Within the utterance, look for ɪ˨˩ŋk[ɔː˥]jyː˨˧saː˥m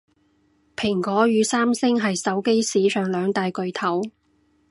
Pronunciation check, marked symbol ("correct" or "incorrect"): incorrect